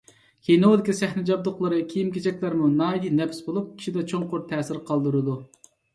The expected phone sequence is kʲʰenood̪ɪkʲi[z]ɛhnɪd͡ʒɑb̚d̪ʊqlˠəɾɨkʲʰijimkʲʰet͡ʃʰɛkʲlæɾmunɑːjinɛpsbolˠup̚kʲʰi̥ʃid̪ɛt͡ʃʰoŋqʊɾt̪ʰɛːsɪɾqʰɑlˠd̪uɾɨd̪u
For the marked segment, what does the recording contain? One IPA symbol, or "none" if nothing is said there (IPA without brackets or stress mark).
s